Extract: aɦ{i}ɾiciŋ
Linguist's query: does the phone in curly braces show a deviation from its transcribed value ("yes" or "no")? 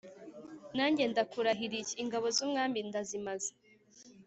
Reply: no